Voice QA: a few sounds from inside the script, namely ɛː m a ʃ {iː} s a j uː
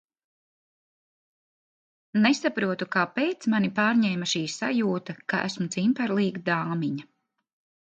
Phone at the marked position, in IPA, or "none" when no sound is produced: iː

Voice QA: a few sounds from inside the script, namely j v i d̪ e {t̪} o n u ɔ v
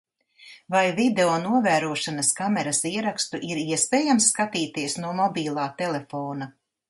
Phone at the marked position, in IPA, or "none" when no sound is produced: none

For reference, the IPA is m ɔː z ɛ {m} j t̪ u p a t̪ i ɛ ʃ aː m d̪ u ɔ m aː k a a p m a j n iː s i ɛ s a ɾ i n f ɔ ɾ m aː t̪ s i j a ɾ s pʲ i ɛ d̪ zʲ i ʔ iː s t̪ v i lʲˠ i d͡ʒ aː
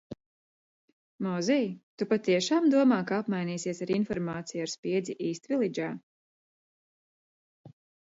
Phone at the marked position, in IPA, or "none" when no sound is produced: none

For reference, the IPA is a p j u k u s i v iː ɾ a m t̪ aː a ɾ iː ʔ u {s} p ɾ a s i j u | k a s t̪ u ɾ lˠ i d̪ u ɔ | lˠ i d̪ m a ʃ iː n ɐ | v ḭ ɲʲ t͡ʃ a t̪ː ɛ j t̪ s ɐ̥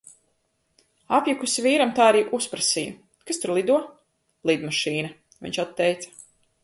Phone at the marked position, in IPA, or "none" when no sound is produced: s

